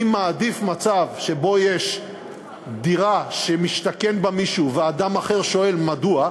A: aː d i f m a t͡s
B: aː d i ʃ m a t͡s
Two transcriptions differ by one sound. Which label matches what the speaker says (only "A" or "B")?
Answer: A